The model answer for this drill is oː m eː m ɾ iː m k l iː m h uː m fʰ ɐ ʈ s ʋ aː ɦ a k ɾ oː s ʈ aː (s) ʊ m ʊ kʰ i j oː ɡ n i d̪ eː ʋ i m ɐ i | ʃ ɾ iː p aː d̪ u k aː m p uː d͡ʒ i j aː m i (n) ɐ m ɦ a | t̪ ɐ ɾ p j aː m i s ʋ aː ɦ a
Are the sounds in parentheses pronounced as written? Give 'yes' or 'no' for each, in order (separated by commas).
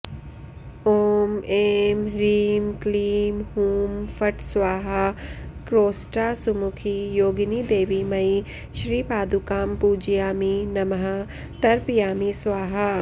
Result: yes, yes